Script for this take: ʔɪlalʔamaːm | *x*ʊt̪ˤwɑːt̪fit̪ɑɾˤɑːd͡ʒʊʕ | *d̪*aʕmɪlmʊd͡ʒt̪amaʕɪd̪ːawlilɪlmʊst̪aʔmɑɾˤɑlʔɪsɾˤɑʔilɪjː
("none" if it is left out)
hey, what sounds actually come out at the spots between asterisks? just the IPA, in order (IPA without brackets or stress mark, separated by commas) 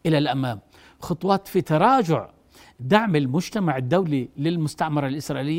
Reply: x, d̪